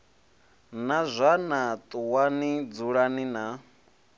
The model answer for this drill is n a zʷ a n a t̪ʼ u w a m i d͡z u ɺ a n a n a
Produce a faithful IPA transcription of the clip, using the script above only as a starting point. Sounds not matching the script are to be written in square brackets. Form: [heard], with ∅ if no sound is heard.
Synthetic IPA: n a zʷ a n a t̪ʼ u w a [n] i d͡z u ɺ a n [i] n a